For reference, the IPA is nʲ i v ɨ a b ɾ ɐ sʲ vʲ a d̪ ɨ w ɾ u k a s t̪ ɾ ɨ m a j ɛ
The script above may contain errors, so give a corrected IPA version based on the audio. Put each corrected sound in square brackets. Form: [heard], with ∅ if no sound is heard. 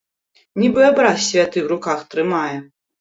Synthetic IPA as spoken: nʲ i [b] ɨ a b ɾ [a] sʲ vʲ a [t̪] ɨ w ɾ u k a [x] t̪ ɾ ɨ m a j ɛ